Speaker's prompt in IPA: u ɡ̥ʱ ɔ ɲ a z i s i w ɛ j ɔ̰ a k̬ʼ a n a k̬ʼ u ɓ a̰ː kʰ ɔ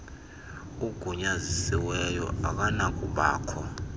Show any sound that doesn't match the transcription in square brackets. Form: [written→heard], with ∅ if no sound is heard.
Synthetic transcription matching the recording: u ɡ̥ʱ [ɔ→u] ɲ a z i s i w ɛ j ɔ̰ a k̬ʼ a n a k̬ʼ u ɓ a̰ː kʰ ɔ